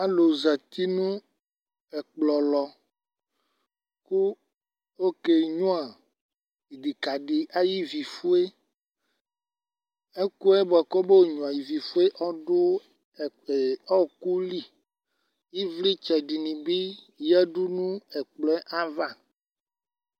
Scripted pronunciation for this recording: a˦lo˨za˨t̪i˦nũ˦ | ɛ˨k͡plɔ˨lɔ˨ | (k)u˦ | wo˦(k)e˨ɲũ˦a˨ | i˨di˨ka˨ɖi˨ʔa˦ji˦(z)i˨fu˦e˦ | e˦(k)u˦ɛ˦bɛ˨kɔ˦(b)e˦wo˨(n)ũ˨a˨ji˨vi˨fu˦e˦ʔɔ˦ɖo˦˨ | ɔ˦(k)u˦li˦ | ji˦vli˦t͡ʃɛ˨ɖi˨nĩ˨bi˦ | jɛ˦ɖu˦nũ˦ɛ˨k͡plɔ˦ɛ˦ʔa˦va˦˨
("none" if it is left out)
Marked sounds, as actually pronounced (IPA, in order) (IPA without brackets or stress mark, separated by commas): k, k, v, k, b, ɲ, k